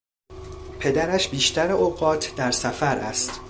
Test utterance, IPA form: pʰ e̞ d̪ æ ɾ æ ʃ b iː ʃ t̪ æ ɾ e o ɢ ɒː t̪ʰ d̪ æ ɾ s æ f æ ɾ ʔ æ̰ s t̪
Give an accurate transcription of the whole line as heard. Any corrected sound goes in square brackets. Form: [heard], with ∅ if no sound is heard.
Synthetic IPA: pʰ e̞ d̪ æ ɾ æ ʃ b iː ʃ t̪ æ ɾ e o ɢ ɒː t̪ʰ d̪ æ ɾ s æ f æ ɾ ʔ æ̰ s t̪